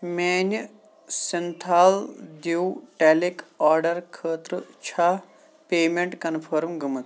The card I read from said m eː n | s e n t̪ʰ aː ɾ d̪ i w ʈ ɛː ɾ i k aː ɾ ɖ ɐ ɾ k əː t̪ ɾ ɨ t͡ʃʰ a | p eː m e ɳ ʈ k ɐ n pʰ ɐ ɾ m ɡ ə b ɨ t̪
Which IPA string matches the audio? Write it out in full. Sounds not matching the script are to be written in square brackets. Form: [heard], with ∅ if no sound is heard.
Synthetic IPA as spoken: m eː n | s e n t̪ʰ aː [l] d̪ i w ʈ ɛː [l] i k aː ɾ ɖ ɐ ɾ [kʰ] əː t̪ ɾ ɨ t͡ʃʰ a | p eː m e ɳ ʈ k ɐ n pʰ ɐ ɾ m ɡ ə [m] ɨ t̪